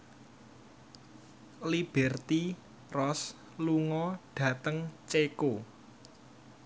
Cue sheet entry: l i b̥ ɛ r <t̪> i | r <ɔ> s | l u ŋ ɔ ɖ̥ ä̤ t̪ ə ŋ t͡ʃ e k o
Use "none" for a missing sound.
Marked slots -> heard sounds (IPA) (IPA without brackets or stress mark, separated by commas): t̪, ɔ